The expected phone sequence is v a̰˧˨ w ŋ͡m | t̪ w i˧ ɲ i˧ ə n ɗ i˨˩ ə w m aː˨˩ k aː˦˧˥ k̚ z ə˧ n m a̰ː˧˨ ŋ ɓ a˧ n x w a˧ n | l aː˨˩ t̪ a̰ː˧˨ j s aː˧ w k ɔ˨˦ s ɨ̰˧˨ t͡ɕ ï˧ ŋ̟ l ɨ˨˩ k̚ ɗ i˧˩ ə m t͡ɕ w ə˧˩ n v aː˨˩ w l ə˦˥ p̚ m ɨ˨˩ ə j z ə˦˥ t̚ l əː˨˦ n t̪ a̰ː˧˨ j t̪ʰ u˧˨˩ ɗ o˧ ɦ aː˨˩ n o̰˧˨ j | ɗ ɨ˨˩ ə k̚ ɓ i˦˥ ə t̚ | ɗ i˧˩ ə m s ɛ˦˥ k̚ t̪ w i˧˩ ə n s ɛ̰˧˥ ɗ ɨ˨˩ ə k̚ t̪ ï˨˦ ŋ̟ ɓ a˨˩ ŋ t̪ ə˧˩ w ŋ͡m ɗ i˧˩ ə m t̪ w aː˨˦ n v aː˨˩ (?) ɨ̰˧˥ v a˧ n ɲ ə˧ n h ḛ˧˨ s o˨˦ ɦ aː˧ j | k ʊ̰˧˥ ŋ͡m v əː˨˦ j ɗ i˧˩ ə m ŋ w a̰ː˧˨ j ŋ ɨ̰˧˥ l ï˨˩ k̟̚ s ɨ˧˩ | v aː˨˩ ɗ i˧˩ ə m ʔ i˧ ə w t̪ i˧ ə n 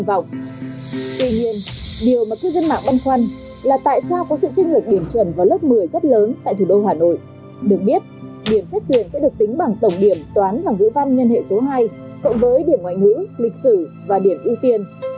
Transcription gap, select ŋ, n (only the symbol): ŋ